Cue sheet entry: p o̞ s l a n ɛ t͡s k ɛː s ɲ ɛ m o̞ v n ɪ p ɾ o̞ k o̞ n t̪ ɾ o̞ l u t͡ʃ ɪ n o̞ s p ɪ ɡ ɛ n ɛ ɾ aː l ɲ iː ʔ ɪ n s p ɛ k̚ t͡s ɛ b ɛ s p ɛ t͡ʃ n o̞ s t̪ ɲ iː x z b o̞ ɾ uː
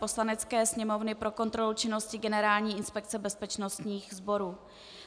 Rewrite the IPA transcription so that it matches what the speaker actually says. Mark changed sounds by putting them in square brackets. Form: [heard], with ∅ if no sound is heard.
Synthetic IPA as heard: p o̞ s l a n ɛ t͡s k ɛː s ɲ ɛ m o̞ v n ɪ p ɾ o̞ k o̞ n t̪ ɾ o̞ l u t͡ʃ ɪ n o̞ s [c] ɪ ɡ ɛ n ɛ ɾ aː l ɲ iː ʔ ɪ n s p ɛ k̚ t͡s ɛ b ɛ s p ɛ t͡ʃ n o̞ s t̪ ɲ iː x z b o̞ ɾ uː

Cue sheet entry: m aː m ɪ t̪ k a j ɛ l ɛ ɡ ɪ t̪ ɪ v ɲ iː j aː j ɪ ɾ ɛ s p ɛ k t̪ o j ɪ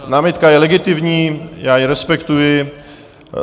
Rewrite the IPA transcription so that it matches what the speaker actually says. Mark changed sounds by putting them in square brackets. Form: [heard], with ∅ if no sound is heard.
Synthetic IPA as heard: [n] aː m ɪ t̪ k a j ɛ l ɛ ɡ ɪ t̪ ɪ v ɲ iː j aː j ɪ ɾ ɛ s p ɛ k t̪ [u] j ɪ

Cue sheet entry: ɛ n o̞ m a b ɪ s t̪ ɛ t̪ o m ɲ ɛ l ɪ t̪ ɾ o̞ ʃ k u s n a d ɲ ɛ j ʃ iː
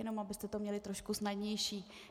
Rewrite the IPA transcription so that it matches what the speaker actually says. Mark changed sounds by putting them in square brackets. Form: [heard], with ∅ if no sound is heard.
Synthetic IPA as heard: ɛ n o̞ m a b ɪ s t̪ ɛ t̪ o m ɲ ɛ l ɪ t̪ ɾ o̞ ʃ k u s n a d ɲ ɛ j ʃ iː

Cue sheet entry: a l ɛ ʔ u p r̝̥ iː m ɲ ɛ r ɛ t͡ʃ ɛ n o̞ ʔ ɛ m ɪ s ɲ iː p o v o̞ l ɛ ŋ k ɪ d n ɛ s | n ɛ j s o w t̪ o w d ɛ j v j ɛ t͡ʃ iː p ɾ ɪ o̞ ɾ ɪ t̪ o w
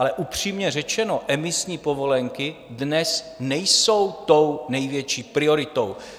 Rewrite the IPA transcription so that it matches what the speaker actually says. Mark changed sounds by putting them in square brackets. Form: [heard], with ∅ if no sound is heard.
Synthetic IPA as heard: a l ɛ ʔ u p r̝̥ iː m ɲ ɛ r ɛ t͡ʃ ɛ n o̞ ʔ ɛ m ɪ s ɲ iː p o v o̞ l ɛ ŋ k ɪ d n ɛ s | n ɛ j s o w t̪ o w [n] ɛ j v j ɛ t͡ʃ iː p ɾ ɪ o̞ ɾ ɪ t̪ o w

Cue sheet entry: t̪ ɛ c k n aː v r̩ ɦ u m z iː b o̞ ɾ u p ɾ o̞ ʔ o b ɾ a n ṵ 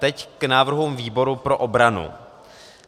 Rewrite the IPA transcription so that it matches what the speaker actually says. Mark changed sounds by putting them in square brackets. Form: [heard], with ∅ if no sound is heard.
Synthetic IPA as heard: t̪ ɛ c k n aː v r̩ ɦ u m [v] iː b o̞ ɾ u p ɾ o̞ ʔ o b ɾ a n ṵ

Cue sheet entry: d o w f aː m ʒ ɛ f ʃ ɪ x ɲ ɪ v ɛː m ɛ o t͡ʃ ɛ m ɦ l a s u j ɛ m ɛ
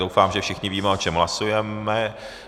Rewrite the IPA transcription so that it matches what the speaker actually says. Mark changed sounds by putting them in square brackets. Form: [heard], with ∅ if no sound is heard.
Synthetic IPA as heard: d o w f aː m ʒ ɛ f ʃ ɪ x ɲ ɪ v [iː] m ɛ o t͡ʃ ɛ m ɦ l a s u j ɛ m ɛ

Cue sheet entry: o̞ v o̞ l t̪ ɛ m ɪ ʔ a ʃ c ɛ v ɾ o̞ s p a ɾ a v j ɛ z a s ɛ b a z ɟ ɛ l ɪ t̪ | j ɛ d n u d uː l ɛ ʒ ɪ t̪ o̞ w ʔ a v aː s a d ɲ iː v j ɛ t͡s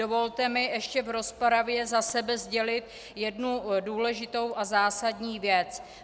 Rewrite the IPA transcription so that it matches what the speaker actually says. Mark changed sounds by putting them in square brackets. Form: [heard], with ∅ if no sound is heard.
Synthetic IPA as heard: o̞ v o̞ l t̪ ɛ m ɪ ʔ [ɛ] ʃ c ɛ v ɾ o̞ s p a ɾ a v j ɛ z a s ɛ b [ɛ] z ɟ ɛ l ɪ t̪ | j ɛ d n u d uː l ɛ ʒ ɪ t̪ o̞ w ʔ a [z] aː s a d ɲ iː v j ɛ t͡s

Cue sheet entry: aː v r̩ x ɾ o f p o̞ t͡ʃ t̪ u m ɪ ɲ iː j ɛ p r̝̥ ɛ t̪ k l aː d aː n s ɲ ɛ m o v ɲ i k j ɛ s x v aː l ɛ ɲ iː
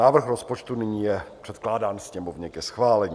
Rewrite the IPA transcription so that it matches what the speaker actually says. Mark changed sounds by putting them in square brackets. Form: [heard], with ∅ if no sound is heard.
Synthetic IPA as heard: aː v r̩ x ɾ o [s] p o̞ t͡ʃ t̪ u [n] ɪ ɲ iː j ɛ p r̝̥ ɛ t̪ k l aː d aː n s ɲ ɛ m o v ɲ [ɛ] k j ɛ s x v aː l ɛ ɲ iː

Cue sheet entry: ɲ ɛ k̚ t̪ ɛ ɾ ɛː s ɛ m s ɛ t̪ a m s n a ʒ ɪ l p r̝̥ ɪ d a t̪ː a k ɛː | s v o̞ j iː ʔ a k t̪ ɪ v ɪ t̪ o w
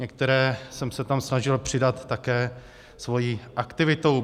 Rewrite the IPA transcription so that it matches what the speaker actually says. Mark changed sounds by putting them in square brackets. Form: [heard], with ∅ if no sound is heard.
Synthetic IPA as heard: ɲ ɛ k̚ t̪ ɛ ɾ ɛː s ɛ m s ɛ t̪ a m s n a ʒ ɪ l p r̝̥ ɪ d a t̪ː a k ɛː | s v o̞ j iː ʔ a k t̪ ɪ v ɪ t̪ o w

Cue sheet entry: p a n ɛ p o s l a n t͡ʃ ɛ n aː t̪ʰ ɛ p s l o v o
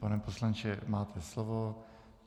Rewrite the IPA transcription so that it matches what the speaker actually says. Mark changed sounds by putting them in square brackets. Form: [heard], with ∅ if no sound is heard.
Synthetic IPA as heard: p a n ɛ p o s l a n t͡ʃ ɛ [m] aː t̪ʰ ɛ [∅] s l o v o

